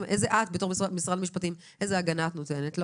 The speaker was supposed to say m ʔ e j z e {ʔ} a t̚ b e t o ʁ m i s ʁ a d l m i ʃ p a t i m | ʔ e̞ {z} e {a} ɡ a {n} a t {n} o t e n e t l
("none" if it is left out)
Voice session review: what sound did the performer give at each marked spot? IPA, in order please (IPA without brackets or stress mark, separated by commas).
ʔ, z, a, n, n